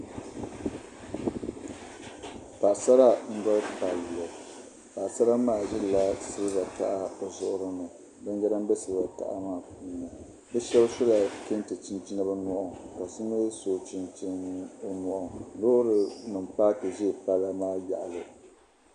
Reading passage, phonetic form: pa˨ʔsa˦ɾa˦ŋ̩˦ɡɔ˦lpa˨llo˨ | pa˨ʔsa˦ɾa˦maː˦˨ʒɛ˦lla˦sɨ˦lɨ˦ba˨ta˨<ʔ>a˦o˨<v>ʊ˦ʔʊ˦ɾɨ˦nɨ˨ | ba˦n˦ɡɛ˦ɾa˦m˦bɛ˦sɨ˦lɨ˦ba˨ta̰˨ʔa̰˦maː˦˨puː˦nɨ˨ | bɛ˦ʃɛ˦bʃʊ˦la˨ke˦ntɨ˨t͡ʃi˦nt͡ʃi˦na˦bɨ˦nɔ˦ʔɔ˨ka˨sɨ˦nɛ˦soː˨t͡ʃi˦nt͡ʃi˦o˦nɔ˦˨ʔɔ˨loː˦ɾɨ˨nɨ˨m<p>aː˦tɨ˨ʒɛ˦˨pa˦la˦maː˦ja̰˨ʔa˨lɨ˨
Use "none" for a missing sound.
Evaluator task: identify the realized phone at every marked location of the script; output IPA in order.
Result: ʔ, z, p

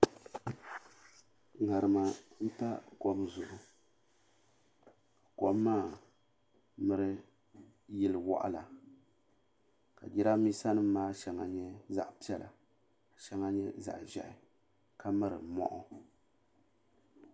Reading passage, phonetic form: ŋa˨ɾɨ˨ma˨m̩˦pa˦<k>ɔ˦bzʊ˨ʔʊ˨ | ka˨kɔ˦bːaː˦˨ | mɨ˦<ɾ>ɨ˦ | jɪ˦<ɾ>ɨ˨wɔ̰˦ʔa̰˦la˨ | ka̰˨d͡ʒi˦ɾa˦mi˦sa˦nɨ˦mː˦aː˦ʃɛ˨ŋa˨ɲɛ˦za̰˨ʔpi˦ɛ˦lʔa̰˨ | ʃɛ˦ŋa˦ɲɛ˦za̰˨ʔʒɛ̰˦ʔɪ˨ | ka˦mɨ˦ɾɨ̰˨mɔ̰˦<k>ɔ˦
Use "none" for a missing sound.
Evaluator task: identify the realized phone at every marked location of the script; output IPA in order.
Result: k, ɾ, l, ʔ

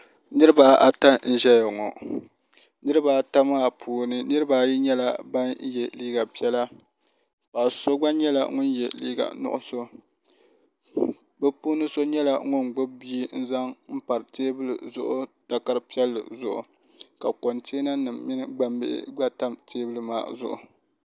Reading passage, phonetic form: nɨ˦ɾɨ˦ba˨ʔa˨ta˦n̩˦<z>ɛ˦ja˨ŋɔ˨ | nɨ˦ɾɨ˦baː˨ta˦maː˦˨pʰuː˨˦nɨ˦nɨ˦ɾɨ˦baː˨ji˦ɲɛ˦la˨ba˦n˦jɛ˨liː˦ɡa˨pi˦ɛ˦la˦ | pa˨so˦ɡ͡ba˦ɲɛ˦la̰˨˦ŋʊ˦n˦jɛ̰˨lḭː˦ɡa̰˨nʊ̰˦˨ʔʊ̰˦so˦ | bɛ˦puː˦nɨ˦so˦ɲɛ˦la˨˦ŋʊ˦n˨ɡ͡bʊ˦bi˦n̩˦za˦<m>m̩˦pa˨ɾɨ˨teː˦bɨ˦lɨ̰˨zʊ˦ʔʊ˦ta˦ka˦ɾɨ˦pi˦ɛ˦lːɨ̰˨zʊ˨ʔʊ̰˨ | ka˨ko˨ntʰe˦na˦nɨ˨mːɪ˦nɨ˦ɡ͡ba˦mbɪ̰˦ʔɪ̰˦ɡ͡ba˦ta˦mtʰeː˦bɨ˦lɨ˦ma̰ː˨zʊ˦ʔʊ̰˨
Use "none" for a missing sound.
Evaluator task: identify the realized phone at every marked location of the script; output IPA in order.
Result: ʒ, ŋ

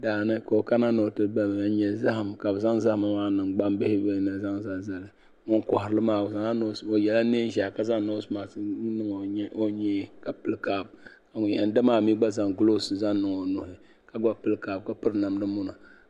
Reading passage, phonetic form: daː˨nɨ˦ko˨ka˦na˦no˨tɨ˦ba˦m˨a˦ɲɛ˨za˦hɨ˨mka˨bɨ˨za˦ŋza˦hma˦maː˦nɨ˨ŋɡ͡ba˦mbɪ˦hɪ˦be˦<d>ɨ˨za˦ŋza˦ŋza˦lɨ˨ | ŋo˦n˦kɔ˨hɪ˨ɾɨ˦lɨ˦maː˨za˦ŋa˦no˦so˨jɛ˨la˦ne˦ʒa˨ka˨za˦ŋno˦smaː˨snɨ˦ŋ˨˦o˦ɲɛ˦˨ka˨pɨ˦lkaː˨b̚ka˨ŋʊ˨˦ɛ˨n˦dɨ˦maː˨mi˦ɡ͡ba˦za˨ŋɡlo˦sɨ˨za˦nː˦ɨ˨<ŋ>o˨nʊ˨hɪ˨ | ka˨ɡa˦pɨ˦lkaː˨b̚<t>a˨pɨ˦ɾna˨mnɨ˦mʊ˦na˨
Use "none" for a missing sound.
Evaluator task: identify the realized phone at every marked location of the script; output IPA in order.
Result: n, ŋ, k

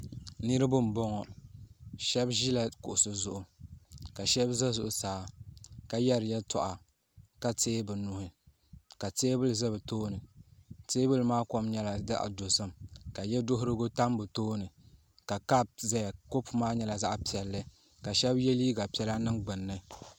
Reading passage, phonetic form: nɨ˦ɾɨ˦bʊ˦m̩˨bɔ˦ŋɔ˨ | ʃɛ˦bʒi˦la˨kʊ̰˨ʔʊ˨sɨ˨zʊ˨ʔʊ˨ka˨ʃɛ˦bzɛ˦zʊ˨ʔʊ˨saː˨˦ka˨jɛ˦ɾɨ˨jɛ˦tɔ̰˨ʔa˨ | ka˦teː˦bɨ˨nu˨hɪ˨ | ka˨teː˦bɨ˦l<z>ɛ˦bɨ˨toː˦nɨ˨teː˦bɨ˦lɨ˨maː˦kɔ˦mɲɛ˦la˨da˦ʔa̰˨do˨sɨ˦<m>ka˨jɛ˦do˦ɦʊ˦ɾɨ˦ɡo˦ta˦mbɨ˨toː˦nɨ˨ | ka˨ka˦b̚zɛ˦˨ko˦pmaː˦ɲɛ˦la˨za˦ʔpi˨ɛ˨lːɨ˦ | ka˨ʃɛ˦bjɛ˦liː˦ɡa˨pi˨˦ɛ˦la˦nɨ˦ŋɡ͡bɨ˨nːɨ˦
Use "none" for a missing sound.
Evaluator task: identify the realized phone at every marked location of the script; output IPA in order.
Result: z, m

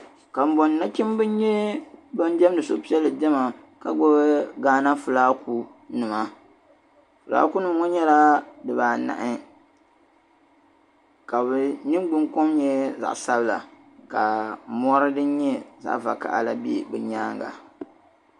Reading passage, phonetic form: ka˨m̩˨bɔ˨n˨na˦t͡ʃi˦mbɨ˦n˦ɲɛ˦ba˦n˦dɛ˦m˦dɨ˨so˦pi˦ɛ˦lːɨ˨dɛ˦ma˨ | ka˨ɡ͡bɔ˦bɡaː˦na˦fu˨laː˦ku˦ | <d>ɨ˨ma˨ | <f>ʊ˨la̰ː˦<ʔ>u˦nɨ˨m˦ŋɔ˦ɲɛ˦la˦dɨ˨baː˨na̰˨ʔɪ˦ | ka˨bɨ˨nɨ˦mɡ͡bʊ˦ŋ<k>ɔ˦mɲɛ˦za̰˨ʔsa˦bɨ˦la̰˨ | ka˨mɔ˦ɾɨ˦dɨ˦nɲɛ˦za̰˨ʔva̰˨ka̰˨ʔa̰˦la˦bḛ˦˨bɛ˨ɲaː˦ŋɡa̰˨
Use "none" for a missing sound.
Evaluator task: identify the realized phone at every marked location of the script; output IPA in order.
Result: n, f, k, k

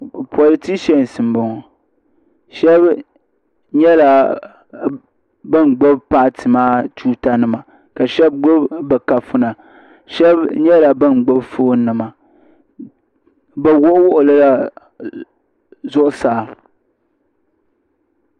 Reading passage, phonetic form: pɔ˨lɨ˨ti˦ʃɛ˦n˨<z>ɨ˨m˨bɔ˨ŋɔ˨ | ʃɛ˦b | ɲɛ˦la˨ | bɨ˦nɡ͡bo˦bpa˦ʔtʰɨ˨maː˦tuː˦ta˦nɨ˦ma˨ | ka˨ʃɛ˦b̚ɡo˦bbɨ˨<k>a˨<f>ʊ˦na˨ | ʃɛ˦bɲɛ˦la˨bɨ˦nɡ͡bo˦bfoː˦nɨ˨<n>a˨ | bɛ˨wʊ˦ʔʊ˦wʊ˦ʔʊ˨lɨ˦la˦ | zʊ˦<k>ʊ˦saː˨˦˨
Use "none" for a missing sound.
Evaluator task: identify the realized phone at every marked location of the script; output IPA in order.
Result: s, k, f, m, ʔ

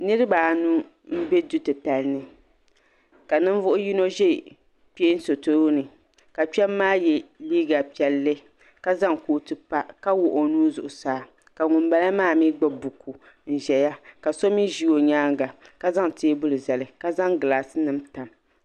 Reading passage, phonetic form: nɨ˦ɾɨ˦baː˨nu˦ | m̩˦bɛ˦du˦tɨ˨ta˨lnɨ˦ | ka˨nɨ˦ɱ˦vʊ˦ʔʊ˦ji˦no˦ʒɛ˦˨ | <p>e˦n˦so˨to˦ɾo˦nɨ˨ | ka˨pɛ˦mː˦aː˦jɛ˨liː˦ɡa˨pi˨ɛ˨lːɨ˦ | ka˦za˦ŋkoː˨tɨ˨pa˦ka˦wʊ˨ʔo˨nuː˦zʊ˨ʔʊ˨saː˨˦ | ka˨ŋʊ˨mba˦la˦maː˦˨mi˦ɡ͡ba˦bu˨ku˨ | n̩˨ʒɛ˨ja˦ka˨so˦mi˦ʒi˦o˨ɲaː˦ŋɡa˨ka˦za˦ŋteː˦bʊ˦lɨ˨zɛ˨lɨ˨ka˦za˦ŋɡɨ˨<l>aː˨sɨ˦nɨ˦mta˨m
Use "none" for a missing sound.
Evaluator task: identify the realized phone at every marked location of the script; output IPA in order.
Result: p, l

